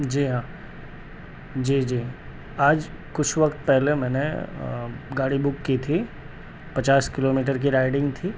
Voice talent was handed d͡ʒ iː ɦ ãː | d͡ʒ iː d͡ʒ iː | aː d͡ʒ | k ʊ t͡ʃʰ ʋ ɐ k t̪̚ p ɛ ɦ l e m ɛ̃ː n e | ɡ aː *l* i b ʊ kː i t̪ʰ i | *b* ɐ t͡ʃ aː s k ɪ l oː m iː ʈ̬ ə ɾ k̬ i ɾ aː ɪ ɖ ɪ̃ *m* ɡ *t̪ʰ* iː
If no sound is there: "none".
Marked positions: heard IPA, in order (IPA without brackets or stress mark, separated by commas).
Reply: ɽ, p, ŋ, t̪ʰ